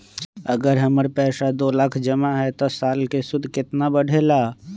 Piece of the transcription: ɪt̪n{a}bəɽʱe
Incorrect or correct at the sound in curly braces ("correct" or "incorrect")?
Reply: correct